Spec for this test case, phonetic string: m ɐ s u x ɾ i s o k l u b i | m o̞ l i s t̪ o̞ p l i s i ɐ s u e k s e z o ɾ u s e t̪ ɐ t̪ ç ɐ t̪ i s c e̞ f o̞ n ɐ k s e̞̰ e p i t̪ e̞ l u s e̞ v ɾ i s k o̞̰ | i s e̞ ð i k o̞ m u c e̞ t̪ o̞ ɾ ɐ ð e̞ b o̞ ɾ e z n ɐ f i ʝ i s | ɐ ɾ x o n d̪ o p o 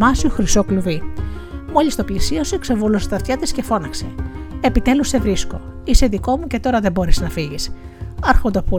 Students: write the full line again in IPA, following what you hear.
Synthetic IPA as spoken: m ɐ s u x ɾ i s o k l u v i | m o̞ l i s t̪ o̞ p l i s i ɐ s u e k s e v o l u s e t̪ ɐ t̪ ç ɐ t̪ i s c e̞ f o̞ n ɐ k s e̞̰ e p i t̪ e̞ l u s e̞ v ɾ i s k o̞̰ | i s e̞ ð i k o̞ m u c e̞ t̪ o̞ ɾ ɐ ð e̞ b o̞ ɾ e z n ɐ f i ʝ i s | ɐ ɾ x o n d̪ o p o